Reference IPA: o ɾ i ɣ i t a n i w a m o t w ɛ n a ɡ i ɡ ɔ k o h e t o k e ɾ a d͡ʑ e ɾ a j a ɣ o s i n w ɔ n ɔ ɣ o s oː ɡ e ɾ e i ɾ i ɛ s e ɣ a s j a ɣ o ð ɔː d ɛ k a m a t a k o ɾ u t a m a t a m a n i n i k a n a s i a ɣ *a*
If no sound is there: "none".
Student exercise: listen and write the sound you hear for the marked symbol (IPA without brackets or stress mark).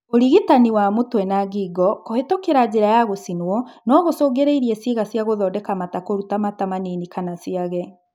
ɛ